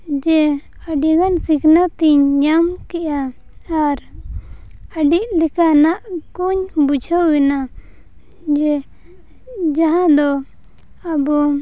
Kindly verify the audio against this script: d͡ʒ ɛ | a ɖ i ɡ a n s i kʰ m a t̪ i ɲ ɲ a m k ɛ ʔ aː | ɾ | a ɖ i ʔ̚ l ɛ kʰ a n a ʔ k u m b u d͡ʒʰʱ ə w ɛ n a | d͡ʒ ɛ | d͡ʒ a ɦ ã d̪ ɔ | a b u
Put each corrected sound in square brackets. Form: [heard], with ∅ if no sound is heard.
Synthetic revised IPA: d͡ʒ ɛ | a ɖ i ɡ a n s i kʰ [n] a t̪ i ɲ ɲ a m k ɛ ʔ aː | ɾ | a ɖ i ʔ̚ l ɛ [k] a n a ʔ k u [ɲ] b u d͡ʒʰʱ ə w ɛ n a | d͡ʒ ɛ | d͡ʒ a ɦ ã d̪ ɔ | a b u